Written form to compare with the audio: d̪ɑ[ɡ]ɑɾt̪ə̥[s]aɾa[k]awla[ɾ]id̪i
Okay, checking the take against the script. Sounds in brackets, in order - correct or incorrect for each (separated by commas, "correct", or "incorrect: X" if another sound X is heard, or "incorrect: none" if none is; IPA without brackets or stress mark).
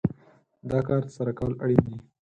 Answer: incorrect: k, correct, correct, incorrect: ɽ